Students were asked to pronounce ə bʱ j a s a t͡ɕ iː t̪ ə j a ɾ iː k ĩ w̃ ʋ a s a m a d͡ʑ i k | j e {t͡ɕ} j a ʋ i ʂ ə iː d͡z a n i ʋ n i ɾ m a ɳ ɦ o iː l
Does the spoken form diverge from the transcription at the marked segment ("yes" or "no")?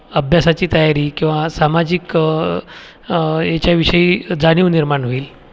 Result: no